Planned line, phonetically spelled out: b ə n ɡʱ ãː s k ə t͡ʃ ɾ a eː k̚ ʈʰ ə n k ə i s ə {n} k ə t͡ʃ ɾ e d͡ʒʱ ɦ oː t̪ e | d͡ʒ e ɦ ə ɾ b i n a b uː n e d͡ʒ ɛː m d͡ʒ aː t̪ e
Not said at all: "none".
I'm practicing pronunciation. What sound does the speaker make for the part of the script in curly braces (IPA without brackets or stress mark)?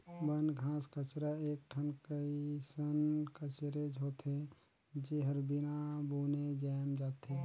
n